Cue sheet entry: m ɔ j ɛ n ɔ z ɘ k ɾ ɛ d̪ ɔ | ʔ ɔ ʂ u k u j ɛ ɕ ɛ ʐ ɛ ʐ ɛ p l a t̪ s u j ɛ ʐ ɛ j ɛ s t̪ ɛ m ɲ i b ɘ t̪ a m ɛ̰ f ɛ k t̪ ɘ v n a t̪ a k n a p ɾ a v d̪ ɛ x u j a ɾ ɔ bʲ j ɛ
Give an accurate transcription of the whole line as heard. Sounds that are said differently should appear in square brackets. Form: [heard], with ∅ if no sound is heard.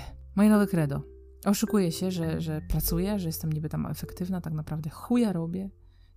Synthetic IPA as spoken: m ɔ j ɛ n ɔ [v] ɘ k ɾ ɛ d̪ ɔ | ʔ ɔ ʂ u k u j ɛ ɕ ɛ ʐ ɛ ʐ ɛ p [ɾ] a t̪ s u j ɛ ʐ ɛ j ɛ s t̪ ɛ m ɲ i b ɘ t̪ a m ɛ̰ f ɛ k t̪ ɘ v n a t̪ a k n a p ɾ a v d̪ ɛ x u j a ɾ ɔ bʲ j ɛ